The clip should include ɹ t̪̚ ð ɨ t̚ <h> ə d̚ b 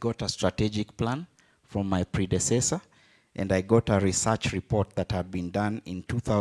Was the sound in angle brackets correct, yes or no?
yes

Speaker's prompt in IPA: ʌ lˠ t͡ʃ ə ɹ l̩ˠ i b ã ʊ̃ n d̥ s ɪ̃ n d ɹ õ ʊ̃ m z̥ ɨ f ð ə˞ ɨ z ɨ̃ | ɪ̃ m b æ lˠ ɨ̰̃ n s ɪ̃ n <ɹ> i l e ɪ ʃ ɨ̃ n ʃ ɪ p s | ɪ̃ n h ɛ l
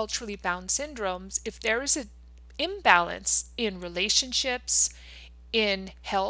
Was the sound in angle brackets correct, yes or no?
yes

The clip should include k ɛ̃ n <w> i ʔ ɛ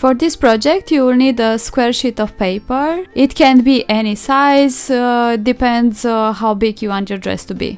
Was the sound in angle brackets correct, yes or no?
no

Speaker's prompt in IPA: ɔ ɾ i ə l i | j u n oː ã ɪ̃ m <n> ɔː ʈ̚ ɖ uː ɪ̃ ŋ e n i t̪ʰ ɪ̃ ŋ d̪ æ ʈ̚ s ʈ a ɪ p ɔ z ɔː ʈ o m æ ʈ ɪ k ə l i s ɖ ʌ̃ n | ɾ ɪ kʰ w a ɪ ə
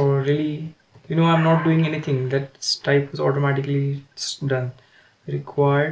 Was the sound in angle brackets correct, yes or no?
yes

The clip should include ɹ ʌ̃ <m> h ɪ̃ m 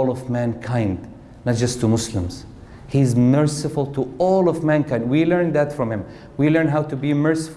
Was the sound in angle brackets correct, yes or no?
yes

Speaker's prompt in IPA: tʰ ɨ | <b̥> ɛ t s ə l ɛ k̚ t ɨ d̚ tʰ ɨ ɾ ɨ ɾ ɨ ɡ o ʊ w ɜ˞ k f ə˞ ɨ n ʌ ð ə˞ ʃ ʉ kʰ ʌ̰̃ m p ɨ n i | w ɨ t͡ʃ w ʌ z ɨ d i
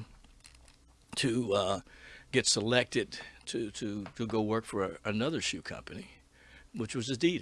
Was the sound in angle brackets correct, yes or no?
no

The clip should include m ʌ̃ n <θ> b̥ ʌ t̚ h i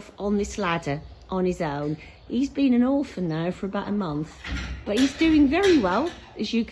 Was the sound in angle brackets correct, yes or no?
yes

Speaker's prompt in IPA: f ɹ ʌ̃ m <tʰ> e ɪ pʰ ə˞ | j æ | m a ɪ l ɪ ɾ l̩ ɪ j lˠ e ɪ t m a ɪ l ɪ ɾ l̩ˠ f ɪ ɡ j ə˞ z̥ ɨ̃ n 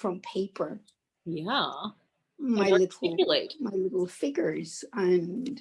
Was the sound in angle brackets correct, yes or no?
no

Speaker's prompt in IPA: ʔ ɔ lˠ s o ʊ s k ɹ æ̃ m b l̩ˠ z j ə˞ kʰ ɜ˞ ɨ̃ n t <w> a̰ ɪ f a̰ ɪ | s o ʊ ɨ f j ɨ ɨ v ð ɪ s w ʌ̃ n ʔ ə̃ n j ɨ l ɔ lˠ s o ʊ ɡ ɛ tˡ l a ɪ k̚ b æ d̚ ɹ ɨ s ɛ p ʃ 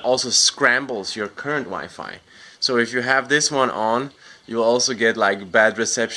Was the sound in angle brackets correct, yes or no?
yes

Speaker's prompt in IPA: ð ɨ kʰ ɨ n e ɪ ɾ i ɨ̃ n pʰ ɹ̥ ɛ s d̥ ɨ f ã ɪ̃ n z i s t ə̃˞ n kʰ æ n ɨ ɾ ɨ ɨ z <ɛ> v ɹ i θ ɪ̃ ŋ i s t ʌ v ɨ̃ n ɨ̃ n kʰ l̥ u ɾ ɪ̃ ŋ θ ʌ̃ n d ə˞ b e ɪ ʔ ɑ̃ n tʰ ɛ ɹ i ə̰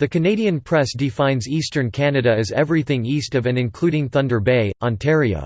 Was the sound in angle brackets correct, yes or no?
yes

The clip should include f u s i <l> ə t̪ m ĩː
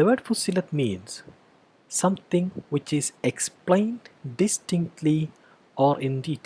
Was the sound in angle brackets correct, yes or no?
yes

